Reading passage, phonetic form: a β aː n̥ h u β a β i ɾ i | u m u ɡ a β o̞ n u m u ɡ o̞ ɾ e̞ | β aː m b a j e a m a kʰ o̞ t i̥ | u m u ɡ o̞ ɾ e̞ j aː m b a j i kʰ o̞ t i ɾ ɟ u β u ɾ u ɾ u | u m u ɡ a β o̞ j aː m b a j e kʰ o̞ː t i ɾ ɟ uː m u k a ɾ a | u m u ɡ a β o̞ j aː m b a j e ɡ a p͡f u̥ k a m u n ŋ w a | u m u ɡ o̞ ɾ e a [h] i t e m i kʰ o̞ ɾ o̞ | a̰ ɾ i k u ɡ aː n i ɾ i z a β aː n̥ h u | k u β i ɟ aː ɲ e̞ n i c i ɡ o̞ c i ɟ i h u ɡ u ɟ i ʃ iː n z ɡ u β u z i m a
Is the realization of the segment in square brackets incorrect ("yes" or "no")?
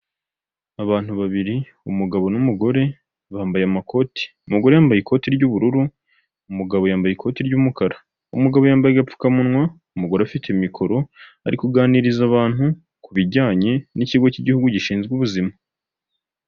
yes